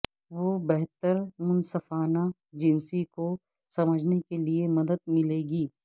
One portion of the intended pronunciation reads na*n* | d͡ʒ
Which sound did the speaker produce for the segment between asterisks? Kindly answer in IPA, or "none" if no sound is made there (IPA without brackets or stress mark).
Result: none